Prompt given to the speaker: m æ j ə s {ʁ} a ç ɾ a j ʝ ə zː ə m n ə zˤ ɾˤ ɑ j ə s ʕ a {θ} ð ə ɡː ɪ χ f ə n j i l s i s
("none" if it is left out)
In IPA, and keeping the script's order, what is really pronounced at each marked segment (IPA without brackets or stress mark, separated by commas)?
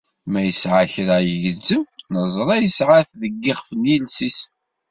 ʕ, θ